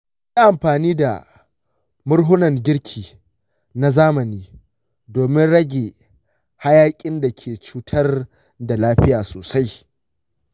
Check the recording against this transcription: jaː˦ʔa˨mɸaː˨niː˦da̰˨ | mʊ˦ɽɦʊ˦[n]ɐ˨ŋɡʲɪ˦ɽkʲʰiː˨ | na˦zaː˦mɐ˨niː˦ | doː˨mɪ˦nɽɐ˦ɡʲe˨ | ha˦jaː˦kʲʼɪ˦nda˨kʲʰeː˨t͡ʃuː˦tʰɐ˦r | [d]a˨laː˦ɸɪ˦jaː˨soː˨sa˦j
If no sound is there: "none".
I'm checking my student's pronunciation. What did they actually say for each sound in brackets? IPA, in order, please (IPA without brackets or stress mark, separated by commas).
n, d